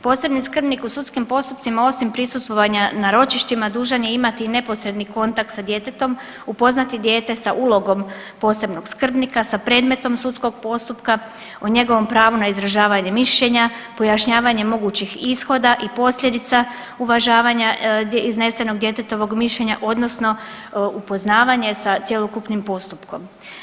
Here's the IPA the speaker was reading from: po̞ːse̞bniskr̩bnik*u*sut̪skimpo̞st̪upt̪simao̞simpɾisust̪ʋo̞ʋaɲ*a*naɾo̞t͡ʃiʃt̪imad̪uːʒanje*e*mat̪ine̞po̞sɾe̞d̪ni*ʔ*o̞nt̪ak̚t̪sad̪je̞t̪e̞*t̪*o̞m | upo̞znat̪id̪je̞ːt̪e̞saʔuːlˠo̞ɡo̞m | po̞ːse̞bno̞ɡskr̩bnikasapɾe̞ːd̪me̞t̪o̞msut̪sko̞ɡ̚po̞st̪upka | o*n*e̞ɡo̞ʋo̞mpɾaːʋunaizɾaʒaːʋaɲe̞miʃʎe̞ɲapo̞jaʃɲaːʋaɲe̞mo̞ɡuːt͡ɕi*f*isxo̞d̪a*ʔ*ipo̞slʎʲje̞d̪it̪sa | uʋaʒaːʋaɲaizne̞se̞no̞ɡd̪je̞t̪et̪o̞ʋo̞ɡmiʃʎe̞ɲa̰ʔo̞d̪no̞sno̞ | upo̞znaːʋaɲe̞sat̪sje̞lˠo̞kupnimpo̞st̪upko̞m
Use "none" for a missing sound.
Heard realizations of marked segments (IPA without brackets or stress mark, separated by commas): u, a, i, k, t̪, ɲ, x, ʔ